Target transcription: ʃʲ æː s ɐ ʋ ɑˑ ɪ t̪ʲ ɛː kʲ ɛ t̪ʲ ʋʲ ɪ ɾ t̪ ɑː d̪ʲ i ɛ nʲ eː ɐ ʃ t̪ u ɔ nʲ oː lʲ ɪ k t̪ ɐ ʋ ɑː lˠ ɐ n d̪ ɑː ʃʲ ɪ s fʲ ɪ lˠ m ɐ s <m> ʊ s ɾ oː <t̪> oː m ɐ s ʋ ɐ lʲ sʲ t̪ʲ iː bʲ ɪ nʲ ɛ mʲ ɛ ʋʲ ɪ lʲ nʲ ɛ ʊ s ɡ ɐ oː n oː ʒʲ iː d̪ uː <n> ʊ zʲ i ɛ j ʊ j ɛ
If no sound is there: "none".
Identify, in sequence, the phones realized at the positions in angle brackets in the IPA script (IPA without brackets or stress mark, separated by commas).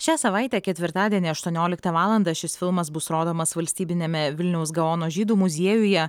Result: b, d̪, m